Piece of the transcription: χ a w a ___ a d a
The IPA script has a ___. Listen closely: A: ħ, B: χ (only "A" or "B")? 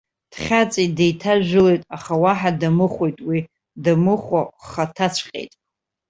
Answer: A